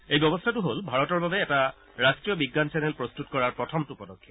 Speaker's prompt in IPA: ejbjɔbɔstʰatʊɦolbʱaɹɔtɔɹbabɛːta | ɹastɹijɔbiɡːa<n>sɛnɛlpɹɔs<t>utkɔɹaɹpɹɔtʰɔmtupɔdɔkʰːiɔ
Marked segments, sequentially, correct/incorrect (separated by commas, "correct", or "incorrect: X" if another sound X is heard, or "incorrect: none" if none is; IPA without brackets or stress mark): correct, correct